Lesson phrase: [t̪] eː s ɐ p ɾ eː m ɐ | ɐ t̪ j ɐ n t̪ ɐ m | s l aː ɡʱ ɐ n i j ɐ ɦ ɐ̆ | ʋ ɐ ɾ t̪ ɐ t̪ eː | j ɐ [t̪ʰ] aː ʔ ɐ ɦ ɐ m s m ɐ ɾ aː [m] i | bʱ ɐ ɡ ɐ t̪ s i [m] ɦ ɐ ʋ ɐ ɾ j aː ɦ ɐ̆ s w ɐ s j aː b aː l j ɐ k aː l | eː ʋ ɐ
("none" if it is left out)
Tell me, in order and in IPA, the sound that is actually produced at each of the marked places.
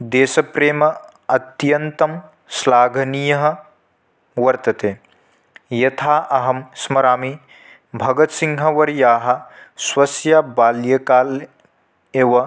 d̪, t̪ʰ, m, ŋ

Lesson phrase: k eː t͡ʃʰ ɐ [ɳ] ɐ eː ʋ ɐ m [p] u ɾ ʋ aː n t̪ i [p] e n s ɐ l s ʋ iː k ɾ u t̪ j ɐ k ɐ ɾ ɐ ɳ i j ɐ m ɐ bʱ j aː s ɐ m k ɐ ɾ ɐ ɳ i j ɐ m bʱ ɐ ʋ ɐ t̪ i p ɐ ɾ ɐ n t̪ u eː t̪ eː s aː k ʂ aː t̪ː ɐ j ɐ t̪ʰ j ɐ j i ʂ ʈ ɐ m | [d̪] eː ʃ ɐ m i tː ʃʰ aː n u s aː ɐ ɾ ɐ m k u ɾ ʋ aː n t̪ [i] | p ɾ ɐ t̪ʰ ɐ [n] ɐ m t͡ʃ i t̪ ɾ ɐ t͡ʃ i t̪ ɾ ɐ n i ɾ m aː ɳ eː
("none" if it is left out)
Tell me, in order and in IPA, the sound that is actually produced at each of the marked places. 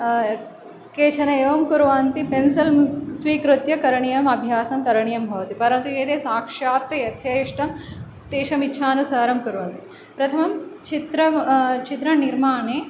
n, k, p, t̪, i, m

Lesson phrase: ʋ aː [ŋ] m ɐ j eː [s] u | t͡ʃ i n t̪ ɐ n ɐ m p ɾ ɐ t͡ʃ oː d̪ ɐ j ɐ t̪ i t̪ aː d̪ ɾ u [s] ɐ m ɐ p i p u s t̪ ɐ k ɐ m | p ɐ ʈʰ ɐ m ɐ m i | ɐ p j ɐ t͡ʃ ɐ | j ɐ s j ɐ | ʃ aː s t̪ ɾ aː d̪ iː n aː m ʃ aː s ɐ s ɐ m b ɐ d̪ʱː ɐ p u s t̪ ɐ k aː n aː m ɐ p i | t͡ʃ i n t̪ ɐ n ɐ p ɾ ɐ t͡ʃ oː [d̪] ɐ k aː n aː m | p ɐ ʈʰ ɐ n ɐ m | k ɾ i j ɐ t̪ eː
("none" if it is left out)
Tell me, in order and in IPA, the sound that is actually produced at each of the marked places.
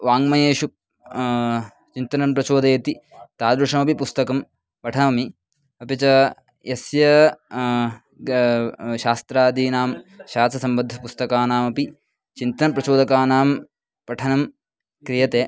ŋ, ʃ, ʂ, d̪

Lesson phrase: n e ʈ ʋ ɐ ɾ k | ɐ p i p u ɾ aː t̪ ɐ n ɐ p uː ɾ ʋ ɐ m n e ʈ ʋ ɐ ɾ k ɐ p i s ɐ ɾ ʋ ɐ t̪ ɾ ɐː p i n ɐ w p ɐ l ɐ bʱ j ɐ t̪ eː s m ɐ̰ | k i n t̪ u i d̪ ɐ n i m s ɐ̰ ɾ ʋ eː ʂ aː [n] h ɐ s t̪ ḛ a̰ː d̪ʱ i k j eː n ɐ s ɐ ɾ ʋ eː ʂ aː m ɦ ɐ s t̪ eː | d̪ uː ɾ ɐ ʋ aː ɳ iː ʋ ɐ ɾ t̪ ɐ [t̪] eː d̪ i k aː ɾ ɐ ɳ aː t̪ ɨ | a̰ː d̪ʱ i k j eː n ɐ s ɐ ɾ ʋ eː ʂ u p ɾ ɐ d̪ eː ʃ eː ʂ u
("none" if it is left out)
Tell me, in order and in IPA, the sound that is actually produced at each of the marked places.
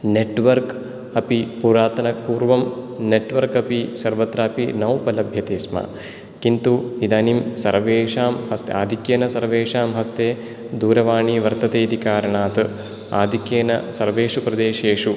m, t̪

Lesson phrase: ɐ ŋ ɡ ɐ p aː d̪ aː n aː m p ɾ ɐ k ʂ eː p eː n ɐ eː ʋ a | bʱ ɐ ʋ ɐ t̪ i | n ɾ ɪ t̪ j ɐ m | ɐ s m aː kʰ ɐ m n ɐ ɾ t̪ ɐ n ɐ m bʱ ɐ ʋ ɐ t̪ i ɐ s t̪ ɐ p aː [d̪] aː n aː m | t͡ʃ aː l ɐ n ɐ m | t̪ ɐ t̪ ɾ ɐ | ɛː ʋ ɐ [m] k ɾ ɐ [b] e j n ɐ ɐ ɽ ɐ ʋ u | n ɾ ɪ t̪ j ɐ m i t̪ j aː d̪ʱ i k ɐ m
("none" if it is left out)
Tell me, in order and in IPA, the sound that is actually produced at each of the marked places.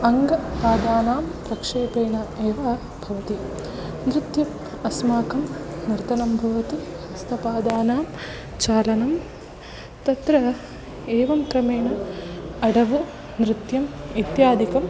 d̪, m, m

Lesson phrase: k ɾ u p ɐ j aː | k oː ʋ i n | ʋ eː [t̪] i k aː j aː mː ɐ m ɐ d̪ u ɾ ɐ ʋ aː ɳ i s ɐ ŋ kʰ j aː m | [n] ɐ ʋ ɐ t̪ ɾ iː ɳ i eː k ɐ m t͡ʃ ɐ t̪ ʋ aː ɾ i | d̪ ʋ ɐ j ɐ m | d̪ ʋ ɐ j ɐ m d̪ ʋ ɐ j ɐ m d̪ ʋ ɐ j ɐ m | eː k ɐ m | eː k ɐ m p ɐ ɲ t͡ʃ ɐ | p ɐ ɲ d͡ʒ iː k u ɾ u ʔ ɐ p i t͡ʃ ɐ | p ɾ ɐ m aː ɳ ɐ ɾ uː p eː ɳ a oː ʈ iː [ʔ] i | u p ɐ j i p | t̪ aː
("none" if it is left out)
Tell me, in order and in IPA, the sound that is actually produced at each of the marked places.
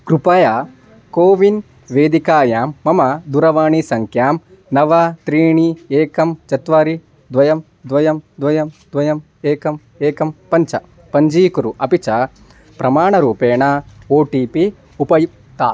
d̪, n, p

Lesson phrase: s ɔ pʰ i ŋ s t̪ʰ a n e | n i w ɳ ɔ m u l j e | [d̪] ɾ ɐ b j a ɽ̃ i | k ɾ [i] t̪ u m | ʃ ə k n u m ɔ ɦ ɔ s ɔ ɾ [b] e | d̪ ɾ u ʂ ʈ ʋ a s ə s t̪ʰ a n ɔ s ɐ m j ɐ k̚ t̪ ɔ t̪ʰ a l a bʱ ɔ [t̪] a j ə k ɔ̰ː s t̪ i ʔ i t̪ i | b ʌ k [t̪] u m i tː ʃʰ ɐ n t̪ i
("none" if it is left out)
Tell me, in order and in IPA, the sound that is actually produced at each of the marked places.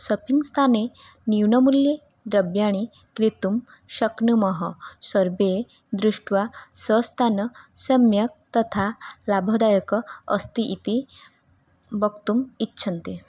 d̪, i, b, d̪, t̪

